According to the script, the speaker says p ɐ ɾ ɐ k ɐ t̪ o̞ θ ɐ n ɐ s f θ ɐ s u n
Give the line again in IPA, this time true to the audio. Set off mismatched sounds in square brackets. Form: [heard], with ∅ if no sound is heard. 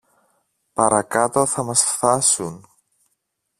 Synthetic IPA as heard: p ɐ ɾ ɐ k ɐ t̪ o̞ θ ɐ [m] ɐ s f θ ɐ s u n